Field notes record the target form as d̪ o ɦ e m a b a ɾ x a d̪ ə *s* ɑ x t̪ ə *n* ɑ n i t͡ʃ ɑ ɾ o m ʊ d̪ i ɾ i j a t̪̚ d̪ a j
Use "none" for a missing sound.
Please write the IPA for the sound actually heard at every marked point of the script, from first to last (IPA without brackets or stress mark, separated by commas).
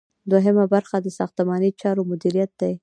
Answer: s, m